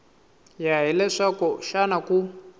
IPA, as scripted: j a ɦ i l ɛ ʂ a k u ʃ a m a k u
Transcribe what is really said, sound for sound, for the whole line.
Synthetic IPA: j a ɦ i l ɛ ʂ a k ɔ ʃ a n a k u